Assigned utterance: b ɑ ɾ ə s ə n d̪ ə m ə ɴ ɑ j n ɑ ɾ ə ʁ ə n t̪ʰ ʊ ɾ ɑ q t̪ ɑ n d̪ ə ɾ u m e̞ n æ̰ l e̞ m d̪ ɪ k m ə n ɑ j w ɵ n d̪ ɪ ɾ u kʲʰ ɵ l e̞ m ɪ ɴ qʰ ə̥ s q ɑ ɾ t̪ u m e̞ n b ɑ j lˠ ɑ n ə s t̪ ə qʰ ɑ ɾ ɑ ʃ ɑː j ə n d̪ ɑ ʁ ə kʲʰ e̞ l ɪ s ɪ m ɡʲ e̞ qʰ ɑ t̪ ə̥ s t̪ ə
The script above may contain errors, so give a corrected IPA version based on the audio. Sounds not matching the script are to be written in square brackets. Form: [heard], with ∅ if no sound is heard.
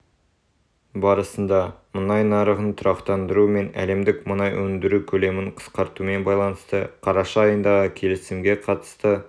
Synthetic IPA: b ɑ ɾ ə s ə n d̪ [ɑ] m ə [n] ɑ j n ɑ ɾ ə ʁ ə n t̪ʰ ʊ ɾ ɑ q t̪ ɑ n d̪ ə ɾ u m e̞ n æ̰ l e̞ m d̪ ɪ k m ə n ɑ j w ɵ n d̪ ɪ ɾ u kʲʰ ɵ l e̞ m ɪ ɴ qʰ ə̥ s q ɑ ɾ t̪ u m e̞ n b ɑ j lˠ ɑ n ə s t̪ ə qʰ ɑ ɾ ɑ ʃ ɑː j ə n d̪ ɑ ʁ ə kʲʰ e̞ l ɪ s ɪ m ɡʲ e̞ qʰ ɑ t̪ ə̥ s t̪ ə